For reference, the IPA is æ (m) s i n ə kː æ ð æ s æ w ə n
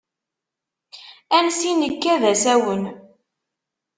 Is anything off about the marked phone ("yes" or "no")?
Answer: yes